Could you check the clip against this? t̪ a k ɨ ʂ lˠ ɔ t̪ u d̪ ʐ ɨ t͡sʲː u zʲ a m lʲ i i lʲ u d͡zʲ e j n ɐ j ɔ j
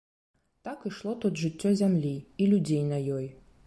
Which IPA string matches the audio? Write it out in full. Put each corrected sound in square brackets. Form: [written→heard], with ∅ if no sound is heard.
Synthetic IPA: t̪ a k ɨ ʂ lˠ ɔ t̪ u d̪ ʐ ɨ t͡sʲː [u→ɔ] zʲ a m lʲ i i lʲ u d͡zʲ e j n ɐ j ɔ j